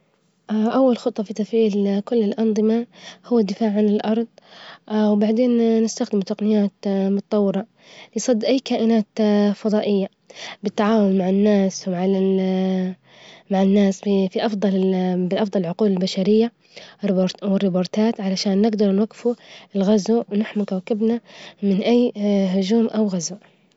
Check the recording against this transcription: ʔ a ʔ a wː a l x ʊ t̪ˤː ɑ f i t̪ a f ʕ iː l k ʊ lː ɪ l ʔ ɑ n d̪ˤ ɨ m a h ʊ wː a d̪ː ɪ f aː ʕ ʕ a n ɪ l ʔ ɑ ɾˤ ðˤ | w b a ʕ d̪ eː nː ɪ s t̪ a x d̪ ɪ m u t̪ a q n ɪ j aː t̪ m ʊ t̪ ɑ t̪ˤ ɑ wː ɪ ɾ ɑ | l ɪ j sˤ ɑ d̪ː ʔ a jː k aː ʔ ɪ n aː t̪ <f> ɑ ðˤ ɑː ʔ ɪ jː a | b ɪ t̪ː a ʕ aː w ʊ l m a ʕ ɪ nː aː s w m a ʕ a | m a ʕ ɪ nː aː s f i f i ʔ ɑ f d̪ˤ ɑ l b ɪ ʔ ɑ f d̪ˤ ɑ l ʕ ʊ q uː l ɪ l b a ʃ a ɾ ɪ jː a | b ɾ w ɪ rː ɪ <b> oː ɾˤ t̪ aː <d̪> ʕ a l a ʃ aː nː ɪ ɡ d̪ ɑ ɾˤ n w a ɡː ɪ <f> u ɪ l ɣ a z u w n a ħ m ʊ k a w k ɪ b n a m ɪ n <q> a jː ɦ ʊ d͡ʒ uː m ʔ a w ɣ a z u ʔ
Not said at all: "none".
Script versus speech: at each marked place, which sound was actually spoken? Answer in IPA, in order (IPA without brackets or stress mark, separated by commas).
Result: f, b, t̪, f, ʔ